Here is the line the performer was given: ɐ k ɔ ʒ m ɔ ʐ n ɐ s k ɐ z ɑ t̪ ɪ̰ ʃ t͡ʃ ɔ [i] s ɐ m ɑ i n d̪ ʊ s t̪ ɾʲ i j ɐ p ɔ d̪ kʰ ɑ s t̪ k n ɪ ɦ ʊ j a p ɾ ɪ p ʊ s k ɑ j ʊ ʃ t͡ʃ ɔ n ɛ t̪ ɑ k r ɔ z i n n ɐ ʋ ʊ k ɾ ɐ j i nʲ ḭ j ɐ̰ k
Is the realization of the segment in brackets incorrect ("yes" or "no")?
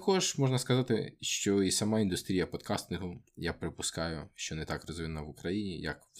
no